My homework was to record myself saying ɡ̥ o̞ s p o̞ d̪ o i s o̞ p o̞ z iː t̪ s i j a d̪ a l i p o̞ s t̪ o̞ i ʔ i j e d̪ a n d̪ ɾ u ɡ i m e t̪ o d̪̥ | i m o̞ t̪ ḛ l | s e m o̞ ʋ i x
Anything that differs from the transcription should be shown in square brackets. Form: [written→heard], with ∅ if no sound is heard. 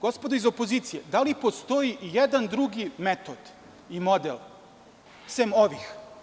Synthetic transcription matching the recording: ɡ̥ o̞ s p o̞ d̪ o i [s→z] o̞ p o̞ z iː t̪ s i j [a→e] d̪ a l i p o̞ s t̪ o̞ i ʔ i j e d̪ a n d̪ ɾ u ɡ i m e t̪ o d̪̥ | i m o̞ [t̪→d̪] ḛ l | s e m o̞ ʋ i x